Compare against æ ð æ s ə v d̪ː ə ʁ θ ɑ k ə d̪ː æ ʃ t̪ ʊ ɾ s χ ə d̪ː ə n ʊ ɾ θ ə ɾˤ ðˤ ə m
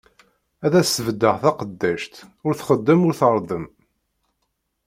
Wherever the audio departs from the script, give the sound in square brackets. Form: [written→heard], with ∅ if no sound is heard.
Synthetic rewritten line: æ ð æ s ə v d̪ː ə ʁ θ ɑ [k→q] ə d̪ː æ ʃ t̪ ʊ ɾ [s→θ] χ ə d̪ː ə [n→m] ʊ ɾ θ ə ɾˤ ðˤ ə m